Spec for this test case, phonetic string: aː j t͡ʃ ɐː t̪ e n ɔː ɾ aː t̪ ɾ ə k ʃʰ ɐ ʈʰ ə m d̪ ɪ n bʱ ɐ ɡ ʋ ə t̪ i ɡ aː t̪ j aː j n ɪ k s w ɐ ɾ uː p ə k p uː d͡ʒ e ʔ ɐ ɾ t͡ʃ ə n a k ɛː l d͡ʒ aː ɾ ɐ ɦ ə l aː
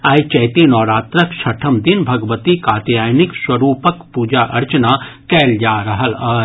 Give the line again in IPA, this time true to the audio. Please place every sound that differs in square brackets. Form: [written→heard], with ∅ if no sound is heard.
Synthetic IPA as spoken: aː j t͡ʃ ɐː t̪ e n ɔː ɾ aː t̪ ɾ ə k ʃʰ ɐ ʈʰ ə m d̪ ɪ n bʱ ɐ ɡ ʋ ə t̪ i [ɡ→k] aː t̪ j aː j n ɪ k s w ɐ ɾ uː p ə k p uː d͡ʒ [e→a] ʔ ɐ ɾ t͡ʃ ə n a k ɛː l d͡ʒ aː ɾ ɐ ɦ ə l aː